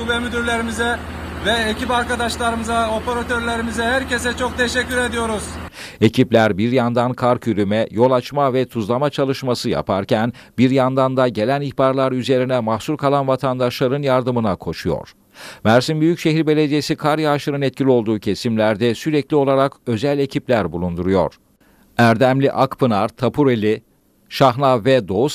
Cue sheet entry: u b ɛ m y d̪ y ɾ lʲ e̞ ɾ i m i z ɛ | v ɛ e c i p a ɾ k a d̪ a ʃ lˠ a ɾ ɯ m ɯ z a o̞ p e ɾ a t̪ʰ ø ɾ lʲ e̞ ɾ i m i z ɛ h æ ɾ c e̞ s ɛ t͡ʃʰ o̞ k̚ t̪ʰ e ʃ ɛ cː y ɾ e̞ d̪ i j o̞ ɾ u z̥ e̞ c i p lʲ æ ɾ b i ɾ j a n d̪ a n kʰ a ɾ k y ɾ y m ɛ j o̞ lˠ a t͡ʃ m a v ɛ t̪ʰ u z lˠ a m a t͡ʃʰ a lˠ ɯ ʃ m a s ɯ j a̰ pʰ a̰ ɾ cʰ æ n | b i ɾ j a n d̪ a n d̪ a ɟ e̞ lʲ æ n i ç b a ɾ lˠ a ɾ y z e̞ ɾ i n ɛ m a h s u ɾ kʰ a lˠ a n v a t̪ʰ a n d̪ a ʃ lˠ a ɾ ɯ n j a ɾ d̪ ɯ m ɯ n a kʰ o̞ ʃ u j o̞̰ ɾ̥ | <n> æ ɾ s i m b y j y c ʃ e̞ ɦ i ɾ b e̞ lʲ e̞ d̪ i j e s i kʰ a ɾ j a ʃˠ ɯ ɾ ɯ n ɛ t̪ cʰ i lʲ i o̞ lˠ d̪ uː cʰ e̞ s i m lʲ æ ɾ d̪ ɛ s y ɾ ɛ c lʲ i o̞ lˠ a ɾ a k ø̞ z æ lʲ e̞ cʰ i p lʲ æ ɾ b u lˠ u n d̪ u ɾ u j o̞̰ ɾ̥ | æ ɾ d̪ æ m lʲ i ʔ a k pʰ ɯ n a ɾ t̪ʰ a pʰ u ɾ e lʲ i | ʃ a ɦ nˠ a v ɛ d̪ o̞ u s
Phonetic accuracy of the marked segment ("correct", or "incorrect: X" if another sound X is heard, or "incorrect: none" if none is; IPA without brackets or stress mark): incorrect: m